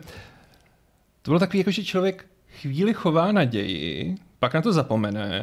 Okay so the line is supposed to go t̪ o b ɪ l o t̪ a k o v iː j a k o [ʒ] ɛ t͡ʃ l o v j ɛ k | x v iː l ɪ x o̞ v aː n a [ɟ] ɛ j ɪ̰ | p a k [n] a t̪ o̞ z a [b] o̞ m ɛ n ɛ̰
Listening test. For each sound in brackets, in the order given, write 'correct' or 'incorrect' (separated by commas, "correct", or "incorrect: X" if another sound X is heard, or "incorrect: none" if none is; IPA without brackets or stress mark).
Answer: correct, correct, correct, incorrect: p